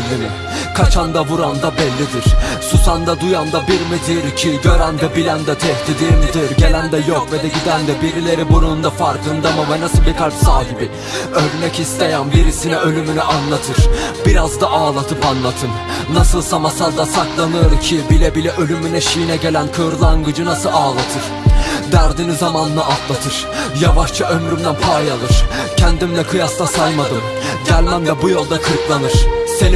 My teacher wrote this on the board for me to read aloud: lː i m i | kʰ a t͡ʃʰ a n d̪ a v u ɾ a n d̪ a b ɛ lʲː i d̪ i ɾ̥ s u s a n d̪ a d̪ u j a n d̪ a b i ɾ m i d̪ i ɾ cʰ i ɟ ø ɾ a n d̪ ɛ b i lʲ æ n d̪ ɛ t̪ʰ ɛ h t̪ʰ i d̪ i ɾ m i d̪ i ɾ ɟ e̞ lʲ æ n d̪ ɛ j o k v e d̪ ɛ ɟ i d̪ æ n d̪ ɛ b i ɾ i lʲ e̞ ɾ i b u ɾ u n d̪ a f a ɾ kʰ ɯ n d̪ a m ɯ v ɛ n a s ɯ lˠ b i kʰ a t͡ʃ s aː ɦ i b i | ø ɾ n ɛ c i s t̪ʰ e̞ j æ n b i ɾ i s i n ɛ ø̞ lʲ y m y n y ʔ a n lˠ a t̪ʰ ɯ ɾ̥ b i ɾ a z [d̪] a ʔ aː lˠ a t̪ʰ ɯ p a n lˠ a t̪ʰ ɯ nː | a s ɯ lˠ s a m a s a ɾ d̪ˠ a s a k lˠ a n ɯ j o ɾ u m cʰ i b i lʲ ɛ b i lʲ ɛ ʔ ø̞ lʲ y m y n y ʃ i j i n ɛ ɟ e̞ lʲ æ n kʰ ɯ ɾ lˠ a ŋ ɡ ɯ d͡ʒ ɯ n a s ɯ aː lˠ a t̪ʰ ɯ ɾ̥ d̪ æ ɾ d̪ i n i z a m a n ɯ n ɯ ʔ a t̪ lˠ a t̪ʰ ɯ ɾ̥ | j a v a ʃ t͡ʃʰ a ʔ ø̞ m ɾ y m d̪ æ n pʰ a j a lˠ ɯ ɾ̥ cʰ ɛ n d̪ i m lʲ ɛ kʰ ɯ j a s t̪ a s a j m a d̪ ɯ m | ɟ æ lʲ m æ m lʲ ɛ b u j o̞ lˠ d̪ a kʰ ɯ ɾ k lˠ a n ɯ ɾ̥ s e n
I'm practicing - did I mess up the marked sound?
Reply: no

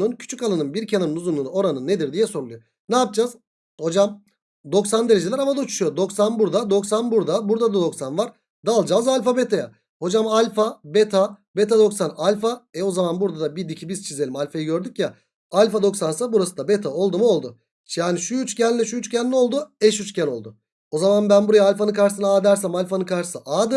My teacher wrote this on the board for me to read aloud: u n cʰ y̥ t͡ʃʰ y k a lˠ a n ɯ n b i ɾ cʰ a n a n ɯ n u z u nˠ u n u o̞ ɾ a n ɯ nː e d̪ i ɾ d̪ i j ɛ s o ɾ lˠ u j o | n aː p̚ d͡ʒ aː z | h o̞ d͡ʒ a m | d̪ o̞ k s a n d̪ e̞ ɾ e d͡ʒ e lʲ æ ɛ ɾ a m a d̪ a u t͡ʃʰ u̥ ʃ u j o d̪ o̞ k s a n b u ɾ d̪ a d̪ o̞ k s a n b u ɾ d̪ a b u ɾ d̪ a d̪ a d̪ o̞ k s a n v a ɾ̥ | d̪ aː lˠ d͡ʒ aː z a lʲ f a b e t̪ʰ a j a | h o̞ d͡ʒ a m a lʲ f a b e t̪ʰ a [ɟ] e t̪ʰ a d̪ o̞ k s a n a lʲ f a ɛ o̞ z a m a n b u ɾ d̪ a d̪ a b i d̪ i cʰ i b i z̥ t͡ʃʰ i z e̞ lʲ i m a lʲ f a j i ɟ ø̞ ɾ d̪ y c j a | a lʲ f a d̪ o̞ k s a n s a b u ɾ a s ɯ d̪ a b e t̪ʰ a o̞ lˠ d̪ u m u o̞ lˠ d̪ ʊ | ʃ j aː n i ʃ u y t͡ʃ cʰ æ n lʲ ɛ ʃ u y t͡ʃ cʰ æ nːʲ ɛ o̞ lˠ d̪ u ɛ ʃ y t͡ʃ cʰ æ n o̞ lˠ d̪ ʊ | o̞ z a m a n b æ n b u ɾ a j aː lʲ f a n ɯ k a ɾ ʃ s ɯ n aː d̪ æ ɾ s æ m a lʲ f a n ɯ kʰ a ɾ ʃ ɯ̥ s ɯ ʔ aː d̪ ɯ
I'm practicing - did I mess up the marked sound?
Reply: yes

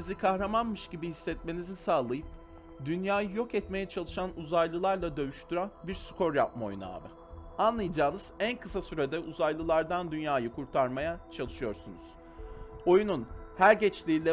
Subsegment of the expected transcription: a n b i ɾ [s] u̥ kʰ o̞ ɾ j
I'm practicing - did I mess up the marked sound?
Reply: no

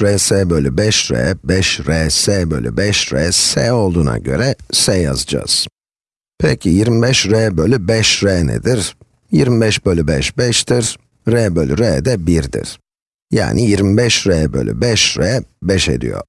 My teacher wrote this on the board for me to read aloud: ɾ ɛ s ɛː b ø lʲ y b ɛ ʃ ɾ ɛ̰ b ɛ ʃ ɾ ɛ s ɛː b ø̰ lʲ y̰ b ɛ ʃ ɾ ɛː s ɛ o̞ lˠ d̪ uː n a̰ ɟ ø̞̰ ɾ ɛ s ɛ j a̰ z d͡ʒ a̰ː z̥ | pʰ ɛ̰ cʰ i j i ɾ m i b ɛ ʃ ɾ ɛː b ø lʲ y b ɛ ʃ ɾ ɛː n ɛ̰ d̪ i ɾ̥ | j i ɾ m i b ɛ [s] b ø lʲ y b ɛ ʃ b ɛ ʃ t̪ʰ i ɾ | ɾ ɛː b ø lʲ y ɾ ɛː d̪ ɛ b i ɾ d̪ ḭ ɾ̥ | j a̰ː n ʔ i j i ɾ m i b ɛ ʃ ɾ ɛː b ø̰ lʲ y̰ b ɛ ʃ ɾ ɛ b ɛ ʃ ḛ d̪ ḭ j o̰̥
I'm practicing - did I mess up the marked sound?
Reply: yes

